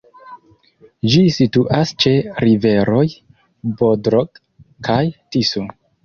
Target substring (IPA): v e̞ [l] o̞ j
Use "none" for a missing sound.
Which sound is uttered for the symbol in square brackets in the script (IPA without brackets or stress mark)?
ɾ